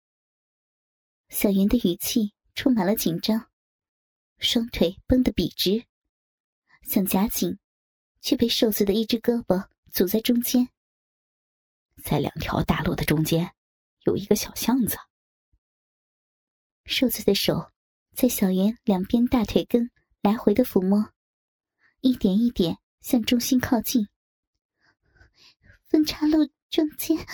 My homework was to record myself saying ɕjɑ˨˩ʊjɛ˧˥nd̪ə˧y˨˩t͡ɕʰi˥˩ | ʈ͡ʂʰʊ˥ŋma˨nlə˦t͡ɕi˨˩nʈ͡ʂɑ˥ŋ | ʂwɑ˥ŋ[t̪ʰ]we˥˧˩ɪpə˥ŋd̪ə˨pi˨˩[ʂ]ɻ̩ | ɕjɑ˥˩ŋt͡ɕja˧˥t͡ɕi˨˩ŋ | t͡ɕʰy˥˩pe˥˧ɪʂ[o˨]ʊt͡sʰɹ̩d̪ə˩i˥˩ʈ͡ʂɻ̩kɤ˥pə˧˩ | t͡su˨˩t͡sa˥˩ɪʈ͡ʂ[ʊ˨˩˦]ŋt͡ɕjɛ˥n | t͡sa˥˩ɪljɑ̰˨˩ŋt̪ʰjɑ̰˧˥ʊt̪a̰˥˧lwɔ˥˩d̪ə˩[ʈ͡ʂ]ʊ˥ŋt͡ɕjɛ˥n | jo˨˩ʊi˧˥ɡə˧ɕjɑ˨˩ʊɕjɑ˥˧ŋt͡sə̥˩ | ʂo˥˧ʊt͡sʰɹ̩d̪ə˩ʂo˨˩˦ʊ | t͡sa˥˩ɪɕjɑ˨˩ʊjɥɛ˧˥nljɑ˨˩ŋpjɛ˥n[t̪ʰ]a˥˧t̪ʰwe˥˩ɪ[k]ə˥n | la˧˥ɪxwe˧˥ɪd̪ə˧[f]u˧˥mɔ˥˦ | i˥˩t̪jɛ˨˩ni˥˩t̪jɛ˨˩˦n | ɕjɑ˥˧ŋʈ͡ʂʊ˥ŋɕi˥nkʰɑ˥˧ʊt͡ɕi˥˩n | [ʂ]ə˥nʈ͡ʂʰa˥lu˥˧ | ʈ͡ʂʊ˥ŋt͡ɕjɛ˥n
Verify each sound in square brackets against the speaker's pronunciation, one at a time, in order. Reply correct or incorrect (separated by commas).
correct, incorrect, incorrect, incorrect, correct, incorrect, correct, correct, incorrect